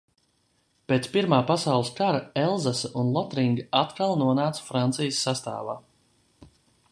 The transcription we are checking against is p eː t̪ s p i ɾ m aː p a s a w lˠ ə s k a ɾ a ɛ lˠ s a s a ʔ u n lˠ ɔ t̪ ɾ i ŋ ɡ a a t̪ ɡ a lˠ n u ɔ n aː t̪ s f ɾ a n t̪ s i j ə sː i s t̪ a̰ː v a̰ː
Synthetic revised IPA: p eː t̪ s p i ɾ m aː p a s a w lˠ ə s k a ɾ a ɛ lˠ z a s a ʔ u n lˠ ɔ t̪ ɾ i ŋ ɡ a a t̪ k a lˠ n u ɔ n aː t̪ s f ɾ a n t̪ s i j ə sː a s t̪ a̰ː v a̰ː